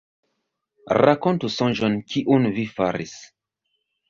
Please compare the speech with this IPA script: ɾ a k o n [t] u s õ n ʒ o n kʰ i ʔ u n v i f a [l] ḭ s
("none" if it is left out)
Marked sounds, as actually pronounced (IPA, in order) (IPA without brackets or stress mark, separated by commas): t, ɾ